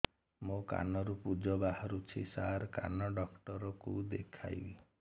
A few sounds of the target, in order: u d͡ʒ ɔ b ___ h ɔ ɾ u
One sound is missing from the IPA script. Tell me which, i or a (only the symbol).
a